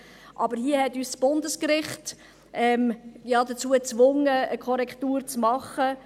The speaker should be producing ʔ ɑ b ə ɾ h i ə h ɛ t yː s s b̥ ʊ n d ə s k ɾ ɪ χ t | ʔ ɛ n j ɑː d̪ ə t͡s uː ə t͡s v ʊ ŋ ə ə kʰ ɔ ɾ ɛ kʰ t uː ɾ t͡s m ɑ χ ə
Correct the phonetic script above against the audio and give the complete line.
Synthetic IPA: ʔ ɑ b ə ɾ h i ə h ɛ t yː s s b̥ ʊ n d ə s k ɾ ɪ χ t | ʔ ɛ m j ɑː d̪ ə t͡s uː ə t͡s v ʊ ŋ ə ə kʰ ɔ ɾ ɛ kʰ t uː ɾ t͡s m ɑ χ ə